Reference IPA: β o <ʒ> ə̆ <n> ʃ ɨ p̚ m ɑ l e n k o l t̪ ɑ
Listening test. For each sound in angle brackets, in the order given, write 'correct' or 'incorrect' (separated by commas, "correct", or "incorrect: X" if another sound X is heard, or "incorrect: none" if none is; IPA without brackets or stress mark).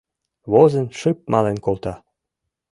incorrect: z, correct